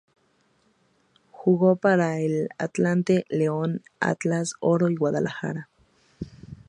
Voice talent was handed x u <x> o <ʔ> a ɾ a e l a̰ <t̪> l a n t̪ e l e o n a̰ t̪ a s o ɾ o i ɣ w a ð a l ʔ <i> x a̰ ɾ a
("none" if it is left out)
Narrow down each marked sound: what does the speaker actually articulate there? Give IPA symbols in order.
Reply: ɣ, p, t̪, a

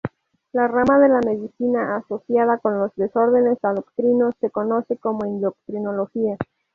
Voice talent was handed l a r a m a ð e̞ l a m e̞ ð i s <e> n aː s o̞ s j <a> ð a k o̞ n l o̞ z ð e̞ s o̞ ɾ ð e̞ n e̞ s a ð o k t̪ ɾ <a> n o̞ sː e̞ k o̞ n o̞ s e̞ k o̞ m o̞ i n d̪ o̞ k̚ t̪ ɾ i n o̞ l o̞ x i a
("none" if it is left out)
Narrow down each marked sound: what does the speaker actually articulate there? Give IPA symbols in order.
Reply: i, a, i

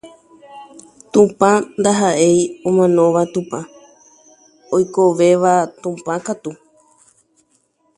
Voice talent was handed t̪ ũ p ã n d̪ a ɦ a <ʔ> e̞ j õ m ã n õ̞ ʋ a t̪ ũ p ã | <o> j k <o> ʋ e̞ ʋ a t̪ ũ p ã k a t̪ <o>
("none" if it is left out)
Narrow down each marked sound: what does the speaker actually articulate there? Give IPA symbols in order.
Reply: ʔ, o, o, u

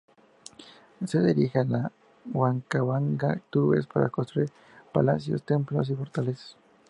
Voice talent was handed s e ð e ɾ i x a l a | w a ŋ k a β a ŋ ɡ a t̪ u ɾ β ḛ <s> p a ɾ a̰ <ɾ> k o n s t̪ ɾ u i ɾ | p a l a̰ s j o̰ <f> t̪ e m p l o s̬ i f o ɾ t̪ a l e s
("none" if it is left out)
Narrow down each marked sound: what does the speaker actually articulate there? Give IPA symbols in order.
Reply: s, none, s

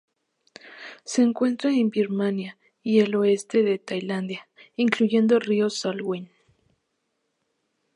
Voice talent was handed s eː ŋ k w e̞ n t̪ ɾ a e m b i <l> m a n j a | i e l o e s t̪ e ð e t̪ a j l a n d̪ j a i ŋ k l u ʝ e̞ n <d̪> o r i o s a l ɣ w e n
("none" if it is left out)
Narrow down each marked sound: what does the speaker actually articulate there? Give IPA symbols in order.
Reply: ɾ, d̪

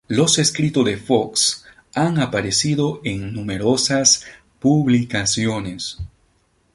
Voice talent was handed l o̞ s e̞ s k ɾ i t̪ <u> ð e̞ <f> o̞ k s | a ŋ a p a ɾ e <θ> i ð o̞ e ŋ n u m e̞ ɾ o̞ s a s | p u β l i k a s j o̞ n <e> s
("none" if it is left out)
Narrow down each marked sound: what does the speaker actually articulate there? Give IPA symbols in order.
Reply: o, f, s, e

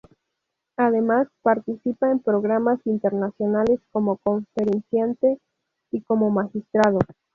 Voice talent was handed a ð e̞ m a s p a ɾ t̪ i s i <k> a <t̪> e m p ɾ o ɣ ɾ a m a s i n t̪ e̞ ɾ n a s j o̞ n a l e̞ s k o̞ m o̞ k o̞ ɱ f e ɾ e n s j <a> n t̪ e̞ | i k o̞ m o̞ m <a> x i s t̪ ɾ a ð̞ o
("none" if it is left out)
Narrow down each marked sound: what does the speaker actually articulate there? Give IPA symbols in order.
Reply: p, none, a, a

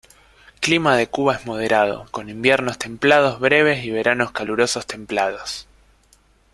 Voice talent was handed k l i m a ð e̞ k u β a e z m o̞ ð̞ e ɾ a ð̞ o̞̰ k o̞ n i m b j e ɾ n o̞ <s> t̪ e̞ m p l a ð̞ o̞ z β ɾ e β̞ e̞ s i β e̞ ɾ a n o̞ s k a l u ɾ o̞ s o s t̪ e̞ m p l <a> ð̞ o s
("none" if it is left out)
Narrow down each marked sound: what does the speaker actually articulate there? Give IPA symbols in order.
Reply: s, a

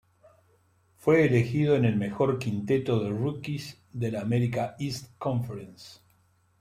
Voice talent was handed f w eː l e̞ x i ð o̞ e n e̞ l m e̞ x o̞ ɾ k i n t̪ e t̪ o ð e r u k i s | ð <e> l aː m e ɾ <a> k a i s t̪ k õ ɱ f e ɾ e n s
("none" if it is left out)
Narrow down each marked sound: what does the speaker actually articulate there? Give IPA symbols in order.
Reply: e, i

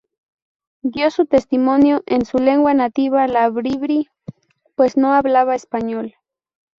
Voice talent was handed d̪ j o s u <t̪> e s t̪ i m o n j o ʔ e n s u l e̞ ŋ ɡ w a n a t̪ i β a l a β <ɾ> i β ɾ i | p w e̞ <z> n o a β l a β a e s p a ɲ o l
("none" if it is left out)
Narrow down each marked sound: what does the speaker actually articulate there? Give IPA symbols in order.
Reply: t̪, ɾ, s

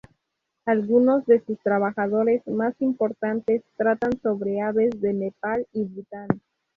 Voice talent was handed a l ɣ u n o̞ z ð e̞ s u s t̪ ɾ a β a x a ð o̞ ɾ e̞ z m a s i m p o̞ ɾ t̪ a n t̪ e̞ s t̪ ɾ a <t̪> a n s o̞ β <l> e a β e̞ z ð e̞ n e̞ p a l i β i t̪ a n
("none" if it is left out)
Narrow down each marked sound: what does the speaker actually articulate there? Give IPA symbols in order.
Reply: t̪, ɾ

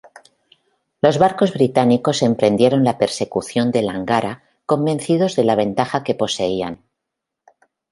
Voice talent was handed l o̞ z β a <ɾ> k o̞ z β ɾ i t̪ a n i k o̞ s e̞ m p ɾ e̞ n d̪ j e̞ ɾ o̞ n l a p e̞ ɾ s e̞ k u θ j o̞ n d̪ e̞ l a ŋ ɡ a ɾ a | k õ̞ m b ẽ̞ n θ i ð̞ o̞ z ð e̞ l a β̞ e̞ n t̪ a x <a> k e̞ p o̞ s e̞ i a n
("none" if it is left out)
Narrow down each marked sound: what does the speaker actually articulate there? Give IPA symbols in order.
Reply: ɾ, a

